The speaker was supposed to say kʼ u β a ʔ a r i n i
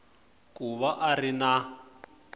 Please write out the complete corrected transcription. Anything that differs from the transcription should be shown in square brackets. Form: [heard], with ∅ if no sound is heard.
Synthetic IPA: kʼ u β a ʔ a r i n [a]